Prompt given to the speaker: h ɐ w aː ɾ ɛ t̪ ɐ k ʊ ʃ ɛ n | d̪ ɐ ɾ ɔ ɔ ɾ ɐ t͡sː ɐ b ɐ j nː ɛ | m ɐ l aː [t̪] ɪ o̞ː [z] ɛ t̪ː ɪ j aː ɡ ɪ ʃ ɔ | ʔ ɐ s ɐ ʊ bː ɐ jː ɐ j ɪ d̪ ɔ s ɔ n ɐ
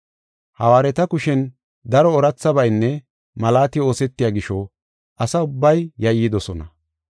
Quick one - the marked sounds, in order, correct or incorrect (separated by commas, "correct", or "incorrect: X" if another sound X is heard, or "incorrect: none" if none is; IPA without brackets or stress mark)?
correct, incorrect: s